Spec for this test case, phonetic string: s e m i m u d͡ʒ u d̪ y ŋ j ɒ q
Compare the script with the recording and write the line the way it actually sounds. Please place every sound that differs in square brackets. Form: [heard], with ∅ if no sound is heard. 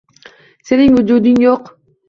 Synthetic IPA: s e [n] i [ŋ] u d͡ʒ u d̪ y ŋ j [o] q